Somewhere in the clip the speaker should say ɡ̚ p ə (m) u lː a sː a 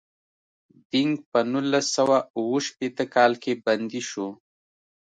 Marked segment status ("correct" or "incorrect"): incorrect